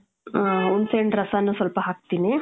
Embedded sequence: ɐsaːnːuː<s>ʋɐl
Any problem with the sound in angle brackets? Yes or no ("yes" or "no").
no